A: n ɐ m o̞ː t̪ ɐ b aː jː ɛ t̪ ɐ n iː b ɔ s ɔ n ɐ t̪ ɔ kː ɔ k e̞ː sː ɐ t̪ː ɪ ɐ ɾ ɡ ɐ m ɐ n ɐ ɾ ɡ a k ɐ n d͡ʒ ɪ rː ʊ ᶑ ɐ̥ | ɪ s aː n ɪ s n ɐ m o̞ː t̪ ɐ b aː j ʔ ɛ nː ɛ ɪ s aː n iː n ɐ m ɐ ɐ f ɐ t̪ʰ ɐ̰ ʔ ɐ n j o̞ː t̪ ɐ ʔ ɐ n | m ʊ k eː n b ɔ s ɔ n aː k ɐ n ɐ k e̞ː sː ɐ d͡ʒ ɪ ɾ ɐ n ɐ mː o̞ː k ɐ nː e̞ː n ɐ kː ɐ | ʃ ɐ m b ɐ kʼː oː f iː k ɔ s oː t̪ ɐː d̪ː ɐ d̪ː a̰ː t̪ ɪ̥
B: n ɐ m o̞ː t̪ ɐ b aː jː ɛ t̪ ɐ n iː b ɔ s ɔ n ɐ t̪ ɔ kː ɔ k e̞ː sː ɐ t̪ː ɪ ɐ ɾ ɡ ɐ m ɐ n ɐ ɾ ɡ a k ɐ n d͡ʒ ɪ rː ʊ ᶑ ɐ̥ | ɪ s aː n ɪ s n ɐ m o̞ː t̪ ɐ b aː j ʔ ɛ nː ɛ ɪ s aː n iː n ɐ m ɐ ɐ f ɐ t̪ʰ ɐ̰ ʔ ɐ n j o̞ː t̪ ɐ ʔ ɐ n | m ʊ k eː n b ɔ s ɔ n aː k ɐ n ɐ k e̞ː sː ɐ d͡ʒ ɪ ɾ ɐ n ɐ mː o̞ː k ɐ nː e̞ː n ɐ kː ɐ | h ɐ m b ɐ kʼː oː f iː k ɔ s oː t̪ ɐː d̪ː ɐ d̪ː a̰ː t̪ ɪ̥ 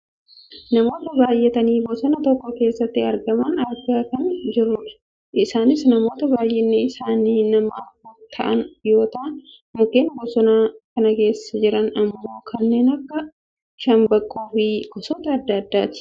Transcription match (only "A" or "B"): A